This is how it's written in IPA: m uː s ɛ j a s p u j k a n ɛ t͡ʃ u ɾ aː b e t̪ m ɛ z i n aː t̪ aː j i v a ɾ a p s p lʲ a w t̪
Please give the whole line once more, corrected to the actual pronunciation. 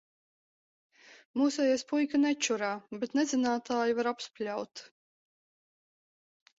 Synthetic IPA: m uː s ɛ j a s p u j k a n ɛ t͡ʃ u ɾ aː b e t̪ n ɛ z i n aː t̪ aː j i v a ɾ a p s p lʲ a w t̪